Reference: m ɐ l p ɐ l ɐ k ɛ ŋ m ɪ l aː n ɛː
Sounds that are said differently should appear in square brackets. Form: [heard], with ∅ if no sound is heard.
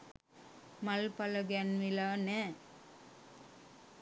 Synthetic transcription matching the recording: m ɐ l p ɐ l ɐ [ɡ] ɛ [n] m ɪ l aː n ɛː